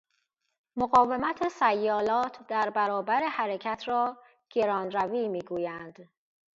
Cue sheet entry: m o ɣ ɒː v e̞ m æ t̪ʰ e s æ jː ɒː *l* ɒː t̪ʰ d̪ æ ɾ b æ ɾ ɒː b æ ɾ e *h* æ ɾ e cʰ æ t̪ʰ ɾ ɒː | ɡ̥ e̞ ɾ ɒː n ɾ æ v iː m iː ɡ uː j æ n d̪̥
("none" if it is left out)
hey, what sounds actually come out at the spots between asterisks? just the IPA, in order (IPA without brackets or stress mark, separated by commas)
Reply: l, h